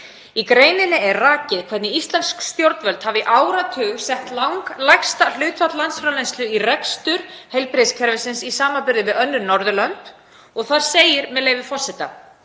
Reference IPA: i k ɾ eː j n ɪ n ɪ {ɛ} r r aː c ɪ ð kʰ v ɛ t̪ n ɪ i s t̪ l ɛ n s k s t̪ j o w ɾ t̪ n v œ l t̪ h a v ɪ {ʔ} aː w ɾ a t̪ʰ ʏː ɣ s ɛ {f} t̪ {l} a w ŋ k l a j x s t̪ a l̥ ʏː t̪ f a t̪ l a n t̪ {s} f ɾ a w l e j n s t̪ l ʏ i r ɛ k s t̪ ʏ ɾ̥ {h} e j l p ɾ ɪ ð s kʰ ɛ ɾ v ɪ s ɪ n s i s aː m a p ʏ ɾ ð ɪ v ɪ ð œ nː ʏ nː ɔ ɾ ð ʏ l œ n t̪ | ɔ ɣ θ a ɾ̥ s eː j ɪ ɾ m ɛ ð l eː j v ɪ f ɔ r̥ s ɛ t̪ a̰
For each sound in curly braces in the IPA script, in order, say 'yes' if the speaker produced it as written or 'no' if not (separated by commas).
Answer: yes, yes, no, yes, yes, yes